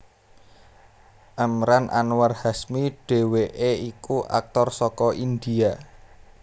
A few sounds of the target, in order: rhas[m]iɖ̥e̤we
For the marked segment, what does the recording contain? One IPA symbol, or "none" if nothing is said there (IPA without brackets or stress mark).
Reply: m